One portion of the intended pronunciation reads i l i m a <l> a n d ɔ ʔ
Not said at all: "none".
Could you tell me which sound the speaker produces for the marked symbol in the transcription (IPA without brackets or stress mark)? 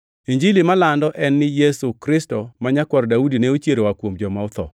l